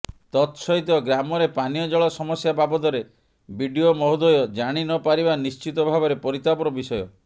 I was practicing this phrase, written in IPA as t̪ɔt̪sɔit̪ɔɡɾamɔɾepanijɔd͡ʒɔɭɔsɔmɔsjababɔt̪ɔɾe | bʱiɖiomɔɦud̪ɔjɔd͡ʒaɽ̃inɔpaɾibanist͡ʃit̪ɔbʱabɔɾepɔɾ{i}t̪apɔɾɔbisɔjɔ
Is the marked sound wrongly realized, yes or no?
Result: no